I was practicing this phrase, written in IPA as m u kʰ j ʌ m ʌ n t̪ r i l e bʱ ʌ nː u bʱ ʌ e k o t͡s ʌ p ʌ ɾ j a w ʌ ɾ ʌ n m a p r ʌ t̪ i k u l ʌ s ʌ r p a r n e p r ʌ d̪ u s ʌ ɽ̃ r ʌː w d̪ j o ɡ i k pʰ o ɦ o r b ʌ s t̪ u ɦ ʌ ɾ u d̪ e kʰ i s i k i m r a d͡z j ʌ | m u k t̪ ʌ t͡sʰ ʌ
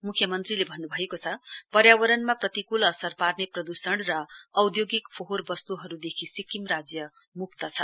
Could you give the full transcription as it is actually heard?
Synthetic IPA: m u kʰ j ʌ m ʌ n t̪ r i l e bʱ ʌ nː u bʱ ʌ e k o t͡sʰ ʌ p ʌ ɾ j a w ʌ ɾ ʌ n m a p r ʌ t̪ i k u l ʌ s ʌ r p a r n e p r ʌ d̪ u s ʌ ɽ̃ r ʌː w d̪ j o ɡ i k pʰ o ɦ o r b ʌ s t̪ u ɦ ʌ ɾ u d̪ e kʰ i s i k i m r a d͡z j ʌ | m u k t̪ ʌ t͡sʰ ʌ